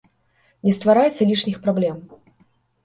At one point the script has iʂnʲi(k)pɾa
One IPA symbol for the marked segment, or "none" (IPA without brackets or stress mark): x